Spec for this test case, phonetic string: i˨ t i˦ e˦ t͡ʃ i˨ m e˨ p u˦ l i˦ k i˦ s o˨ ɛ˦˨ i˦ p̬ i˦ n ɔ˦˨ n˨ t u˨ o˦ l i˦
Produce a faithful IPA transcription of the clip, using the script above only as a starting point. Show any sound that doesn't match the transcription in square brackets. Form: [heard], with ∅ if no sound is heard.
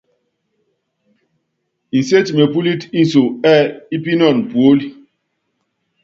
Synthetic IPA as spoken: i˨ [s] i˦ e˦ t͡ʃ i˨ m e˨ p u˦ l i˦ [t] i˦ s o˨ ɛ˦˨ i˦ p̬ i˦ n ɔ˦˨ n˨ [p] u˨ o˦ l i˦